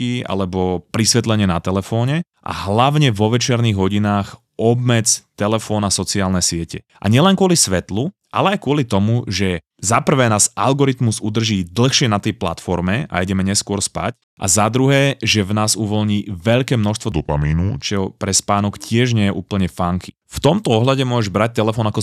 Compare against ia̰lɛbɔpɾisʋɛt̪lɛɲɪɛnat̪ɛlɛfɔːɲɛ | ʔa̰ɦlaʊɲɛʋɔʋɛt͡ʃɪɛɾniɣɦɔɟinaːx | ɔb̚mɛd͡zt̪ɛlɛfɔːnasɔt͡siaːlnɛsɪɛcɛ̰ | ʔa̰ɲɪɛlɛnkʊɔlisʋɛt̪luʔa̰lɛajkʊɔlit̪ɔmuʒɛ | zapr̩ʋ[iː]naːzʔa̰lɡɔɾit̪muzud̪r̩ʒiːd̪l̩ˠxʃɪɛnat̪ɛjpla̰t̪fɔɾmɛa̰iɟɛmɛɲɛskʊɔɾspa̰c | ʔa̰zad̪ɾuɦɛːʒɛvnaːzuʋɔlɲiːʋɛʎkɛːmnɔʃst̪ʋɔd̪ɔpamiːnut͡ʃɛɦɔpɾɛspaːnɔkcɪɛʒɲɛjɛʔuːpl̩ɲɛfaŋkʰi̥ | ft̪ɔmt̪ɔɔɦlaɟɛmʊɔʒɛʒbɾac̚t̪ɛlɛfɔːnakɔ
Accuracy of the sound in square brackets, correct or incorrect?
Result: incorrect